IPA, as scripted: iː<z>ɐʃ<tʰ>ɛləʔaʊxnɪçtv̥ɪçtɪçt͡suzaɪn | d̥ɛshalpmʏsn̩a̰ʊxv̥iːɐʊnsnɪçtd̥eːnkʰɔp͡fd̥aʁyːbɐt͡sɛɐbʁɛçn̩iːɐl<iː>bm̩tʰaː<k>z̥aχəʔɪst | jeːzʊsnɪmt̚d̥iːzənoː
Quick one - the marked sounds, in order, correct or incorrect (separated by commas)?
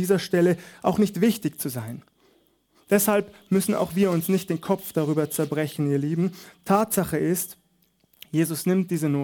correct, incorrect, correct, incorrect